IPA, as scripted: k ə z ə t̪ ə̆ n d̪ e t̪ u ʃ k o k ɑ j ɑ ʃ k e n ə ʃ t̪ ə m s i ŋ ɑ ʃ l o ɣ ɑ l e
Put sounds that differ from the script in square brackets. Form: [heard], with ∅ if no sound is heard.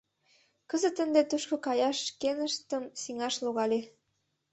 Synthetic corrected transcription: k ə z ə t̪ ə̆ n d̪ e t̪ u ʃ k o k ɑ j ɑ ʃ k e n ə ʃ t̪ ə m s i ŋ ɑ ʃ l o ɣ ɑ l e